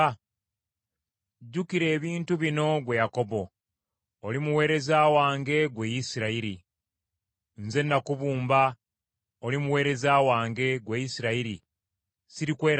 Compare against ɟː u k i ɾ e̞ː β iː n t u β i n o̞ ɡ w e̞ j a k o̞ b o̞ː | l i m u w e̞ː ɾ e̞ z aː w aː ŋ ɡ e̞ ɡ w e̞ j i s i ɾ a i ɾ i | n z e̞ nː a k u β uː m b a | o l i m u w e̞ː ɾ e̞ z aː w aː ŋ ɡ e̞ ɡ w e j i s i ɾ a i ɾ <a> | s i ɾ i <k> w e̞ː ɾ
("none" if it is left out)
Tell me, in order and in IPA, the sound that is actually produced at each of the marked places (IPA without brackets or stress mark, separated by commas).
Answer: i, k